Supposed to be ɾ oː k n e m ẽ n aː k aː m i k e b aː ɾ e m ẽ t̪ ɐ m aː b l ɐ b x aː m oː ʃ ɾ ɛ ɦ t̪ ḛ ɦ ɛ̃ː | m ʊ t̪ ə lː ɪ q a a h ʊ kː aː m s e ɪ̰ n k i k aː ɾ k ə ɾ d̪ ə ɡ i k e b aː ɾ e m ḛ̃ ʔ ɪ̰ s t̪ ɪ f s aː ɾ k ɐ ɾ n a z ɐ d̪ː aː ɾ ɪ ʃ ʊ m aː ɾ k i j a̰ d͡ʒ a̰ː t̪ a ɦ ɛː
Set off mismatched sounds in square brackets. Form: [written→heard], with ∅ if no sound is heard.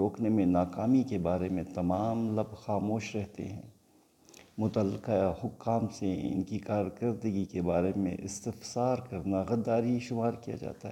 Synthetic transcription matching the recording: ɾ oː k n e m ẽ n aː k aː m i k e b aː ɾ e m ẽ t̪ ɐ m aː [b→m] l ɐ b x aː m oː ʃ ɾ ɛ ɦ t̪ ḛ ɦ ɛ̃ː | m ʊ t̪ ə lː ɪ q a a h ʊ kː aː m s e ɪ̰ n k i k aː ɾ k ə ɾ d̪ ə ɡ i k e b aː ɾ e m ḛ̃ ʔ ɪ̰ s t̪ ɪ f s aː ɾ k ɐ ɾ n a [z→ɣ] ɐ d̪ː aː ɾ [ɪ→i] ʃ ʊ m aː ɾ k i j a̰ d͡ʒ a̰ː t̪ a ɦ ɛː